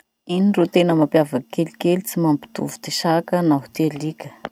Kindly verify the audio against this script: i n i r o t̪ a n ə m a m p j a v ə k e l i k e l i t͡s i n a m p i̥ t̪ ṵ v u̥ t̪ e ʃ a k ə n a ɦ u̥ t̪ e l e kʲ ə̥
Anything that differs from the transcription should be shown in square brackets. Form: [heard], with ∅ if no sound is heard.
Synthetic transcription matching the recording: i n i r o t̪ [e] n ə m a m p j a v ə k e l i k e l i t͡s i [m] a m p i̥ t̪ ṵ v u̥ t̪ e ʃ a k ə n a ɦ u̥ t̪ e l [i] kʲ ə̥